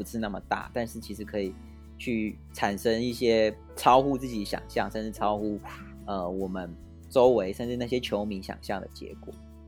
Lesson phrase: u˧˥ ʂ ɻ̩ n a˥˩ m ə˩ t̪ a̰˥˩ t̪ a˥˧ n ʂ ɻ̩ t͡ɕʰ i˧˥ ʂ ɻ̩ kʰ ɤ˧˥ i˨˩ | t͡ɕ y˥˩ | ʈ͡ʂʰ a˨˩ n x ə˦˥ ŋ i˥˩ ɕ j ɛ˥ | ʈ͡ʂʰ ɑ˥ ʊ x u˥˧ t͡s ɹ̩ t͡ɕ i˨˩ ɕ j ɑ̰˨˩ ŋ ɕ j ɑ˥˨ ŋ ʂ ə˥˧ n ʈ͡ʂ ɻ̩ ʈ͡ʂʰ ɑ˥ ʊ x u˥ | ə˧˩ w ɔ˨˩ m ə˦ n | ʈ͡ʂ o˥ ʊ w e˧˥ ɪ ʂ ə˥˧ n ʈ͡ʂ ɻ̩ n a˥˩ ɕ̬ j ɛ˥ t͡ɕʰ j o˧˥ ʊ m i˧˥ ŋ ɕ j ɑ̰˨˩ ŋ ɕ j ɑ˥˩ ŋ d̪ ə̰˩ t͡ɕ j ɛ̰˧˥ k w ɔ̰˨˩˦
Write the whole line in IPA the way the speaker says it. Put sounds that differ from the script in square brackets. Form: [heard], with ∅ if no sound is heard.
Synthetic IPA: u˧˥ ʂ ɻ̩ n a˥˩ m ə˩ t̪ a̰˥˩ t̪ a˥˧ n ʂ ɻ̩ t͡ɕʰ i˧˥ ʂ ɻ̩ kʰ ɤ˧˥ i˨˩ | [t͡ɕʰ] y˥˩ | ʈ͡ʂʰ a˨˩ n [ʂ] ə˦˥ ŋ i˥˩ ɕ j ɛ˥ | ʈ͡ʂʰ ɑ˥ ʊ x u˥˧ t͡s ɹ̩ t͡ɕ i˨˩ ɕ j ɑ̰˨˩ ŋ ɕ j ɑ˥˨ ŋ ʂ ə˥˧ n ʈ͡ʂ ɻ̩ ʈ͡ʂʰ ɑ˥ ʊ x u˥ | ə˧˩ w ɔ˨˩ m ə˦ n | ʈ͡ʂ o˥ ʊ w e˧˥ ɪ ʂ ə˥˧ n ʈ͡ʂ ɻ̩ n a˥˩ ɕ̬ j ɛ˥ t͡ɕʰ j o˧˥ ʊ m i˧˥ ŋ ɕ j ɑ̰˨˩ ŋ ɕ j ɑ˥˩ ŋ d̪ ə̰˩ t͡ɕ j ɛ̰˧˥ k w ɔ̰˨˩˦